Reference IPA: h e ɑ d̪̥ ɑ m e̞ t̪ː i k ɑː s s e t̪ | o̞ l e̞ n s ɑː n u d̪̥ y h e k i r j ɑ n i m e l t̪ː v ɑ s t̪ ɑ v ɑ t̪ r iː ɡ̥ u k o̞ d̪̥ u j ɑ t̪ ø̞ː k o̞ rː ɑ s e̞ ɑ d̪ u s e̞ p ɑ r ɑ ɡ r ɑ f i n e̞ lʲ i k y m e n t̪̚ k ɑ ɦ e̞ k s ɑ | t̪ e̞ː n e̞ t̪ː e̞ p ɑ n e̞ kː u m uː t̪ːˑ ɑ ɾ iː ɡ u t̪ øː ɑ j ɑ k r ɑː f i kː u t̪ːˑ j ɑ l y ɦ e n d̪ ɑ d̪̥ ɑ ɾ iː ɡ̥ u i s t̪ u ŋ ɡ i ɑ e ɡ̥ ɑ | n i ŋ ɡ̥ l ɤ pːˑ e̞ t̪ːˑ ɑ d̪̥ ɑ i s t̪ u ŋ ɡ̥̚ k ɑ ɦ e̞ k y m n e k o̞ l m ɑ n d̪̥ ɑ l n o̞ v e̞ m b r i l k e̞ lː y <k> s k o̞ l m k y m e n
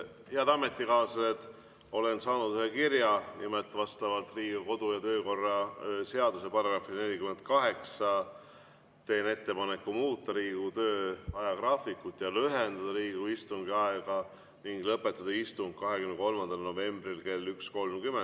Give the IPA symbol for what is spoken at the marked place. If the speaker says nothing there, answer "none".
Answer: k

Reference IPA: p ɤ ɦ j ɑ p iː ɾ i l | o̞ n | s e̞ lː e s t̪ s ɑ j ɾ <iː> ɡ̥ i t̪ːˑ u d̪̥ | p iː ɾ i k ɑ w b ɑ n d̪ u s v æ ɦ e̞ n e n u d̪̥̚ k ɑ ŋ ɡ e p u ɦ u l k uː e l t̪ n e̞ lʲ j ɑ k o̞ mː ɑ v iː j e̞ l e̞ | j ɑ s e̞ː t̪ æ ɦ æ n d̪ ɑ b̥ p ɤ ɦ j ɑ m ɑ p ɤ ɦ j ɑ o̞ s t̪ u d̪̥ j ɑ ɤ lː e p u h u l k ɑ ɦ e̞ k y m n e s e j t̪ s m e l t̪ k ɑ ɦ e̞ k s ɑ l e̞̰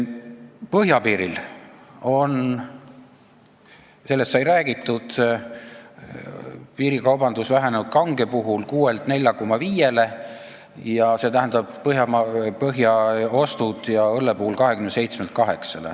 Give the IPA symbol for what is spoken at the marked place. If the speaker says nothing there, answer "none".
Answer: æː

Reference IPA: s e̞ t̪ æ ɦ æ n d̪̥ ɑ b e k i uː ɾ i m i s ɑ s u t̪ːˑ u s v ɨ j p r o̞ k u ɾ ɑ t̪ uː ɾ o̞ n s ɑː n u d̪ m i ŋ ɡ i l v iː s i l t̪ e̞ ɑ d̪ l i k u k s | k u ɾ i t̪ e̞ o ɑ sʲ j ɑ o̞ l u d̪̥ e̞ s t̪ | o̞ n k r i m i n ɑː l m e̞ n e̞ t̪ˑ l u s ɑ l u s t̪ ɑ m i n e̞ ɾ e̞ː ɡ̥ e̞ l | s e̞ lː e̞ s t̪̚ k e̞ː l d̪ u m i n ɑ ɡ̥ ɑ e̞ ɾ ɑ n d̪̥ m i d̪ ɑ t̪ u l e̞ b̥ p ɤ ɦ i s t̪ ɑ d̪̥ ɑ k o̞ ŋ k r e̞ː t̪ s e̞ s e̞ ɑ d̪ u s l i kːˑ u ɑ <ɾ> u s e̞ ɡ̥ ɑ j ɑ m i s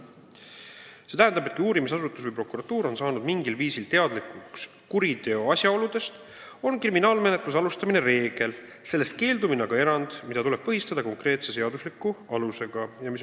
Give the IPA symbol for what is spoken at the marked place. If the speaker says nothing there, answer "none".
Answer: l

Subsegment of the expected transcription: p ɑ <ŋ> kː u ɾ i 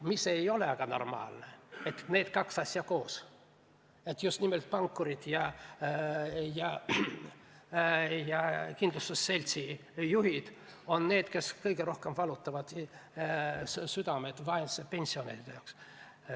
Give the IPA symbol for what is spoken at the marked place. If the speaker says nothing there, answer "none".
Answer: ŋ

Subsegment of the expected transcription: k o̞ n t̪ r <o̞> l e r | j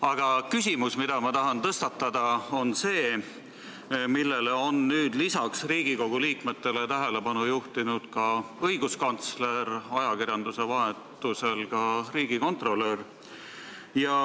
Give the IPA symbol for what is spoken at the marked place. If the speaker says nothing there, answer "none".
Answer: o̞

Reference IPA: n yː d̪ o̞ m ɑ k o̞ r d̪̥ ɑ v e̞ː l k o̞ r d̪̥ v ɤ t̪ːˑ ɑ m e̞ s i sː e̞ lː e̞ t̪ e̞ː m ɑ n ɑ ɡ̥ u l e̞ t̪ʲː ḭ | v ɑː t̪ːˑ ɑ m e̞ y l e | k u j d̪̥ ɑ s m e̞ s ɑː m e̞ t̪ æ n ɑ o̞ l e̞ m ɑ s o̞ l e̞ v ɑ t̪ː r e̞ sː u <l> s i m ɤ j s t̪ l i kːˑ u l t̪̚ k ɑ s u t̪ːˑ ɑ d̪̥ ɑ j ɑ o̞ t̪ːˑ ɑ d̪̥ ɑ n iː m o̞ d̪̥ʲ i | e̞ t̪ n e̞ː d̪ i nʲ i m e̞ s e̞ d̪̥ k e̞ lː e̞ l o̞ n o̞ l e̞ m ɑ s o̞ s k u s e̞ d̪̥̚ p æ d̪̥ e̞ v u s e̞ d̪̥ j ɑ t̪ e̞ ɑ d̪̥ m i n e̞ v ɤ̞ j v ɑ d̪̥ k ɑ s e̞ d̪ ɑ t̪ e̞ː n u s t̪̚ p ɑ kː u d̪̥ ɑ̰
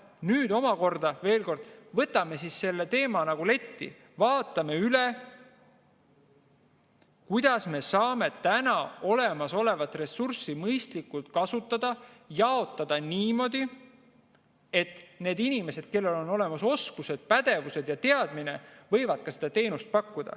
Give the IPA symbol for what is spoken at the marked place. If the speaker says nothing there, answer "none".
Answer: r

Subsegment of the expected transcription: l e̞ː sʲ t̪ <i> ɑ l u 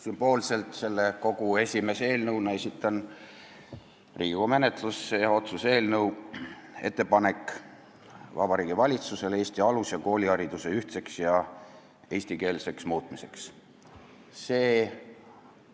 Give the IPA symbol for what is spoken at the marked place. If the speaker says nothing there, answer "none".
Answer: i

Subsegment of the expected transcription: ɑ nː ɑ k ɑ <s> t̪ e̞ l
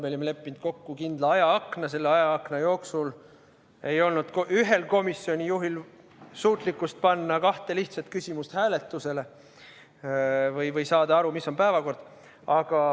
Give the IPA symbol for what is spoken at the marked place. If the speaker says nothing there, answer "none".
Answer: h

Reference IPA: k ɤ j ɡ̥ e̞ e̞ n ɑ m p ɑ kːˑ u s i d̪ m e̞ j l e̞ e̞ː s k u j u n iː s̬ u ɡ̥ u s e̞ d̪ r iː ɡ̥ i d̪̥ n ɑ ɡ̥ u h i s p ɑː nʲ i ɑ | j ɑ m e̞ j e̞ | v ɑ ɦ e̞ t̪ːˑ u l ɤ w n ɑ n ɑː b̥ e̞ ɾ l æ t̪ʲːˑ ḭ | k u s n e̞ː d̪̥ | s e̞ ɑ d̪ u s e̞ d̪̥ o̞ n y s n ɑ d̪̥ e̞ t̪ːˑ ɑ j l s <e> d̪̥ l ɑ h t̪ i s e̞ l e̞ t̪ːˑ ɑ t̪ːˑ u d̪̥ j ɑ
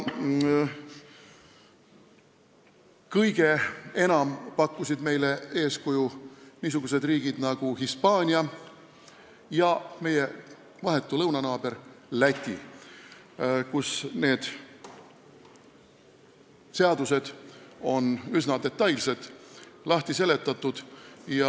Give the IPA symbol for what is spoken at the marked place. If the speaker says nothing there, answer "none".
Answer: e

